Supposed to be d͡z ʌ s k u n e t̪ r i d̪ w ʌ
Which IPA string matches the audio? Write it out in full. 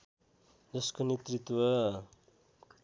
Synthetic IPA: d͡z ʌ s k o n e t̪ r i t̪ w ʌ